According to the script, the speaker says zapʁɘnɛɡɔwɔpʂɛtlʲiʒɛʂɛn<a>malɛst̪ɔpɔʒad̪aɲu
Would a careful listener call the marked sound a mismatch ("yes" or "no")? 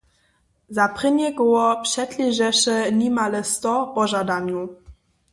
yes